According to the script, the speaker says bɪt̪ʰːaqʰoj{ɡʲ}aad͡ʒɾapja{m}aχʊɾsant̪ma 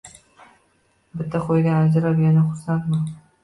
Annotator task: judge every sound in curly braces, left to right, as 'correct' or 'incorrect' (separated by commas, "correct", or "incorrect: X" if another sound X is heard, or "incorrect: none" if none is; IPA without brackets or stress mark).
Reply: correct, incorrect: n